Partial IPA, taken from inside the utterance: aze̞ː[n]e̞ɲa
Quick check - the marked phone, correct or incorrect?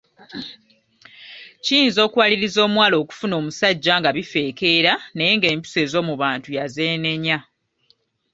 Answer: correct